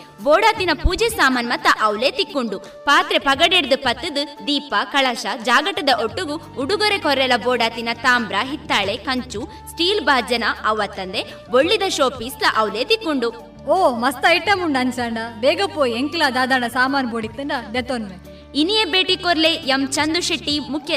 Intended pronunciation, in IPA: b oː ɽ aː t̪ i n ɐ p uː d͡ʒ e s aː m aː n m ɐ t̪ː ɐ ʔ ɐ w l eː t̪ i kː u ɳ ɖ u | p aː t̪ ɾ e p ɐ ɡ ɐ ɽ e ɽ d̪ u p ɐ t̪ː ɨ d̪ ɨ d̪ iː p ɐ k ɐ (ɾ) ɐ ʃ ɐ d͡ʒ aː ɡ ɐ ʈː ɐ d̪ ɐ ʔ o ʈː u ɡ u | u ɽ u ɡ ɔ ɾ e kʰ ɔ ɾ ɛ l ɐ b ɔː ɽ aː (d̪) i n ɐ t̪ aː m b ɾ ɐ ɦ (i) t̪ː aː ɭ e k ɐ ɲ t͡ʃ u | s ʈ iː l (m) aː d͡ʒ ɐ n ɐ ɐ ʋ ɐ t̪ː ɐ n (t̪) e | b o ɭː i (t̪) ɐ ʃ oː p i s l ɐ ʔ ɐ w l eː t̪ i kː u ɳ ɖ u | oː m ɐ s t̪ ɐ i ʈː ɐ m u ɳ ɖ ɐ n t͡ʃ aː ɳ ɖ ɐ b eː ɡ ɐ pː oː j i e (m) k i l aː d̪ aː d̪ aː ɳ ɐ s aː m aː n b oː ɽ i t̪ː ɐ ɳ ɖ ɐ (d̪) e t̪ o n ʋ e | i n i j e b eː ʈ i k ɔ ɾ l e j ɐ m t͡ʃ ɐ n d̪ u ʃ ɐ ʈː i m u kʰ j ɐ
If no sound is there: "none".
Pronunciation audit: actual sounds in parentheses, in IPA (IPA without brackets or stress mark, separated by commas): ɭ, t̪, i, b, d̪, d̪, ŋ, d̪